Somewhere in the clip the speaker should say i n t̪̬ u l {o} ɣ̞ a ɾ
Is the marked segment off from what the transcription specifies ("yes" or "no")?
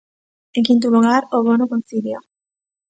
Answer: yes